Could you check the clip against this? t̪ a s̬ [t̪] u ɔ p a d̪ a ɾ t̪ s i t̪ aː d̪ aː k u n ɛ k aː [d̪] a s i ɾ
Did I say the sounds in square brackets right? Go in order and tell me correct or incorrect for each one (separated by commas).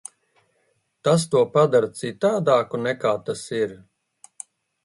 correct, incorrect